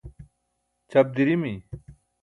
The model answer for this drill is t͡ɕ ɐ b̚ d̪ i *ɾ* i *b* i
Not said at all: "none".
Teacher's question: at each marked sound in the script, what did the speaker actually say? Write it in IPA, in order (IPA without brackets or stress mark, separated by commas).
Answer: ɾ, m